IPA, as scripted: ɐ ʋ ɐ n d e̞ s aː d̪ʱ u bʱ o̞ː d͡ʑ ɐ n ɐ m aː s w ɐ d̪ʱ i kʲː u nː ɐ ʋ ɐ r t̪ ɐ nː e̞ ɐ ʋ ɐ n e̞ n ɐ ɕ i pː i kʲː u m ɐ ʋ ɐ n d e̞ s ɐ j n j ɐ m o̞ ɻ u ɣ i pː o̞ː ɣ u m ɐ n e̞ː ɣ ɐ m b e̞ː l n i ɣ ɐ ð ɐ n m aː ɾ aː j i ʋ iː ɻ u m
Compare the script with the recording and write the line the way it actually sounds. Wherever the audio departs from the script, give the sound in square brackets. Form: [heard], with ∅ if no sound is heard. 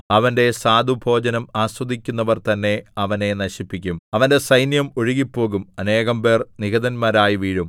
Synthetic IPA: ɐ ʋ ɐ n d e̞ s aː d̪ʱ u bʱ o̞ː d͡ʑ ɐ n ɐ m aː s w ɐ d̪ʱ i kʲː u nː ɐ ʋ ɐ r t̪ ɐ nː e̞ ɐ ʋ ɐ n e̞ n ɐ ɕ i pː i kʲː u m ɐ ʋ ɐ n d e̞ s ɐ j n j ɐ m o̞ ɻ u ɣ i pː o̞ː ɣ u m ɐ n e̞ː ɣ ɐ m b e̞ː [r] n i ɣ ɐ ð ɐ n m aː ɾ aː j i ʋ iː ɻ u m